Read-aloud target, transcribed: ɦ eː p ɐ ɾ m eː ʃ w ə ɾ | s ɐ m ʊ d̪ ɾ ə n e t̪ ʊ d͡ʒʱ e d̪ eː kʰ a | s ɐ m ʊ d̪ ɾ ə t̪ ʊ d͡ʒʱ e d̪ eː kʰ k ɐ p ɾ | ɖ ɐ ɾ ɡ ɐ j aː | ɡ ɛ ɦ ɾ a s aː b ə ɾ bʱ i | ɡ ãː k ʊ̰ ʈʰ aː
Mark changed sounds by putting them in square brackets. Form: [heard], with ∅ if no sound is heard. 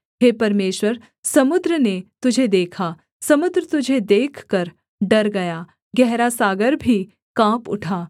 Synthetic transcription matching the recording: ɦ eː p ɐ ɾ m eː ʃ w ə ɾ | s ɐ m ʊ d̪ ɾ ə n e t̪ ʊ d͡ʒʱ e d̪ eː kʰ a | s ɐ m ʊ d̪ ɾ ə t̪ ʊ d͡ʒʱ e d̪ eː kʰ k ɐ [∅] ɾ | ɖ ɐ ɾ ɡ ɐ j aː | ɡ ɛ ɦ ɾ a s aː [ɡ] ə ɾ bʱ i | [k] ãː [p] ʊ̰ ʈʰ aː